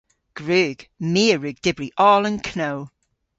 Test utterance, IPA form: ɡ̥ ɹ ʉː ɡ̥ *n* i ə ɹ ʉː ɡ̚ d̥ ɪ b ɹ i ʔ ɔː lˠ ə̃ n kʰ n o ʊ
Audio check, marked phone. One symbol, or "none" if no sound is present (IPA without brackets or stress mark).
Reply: m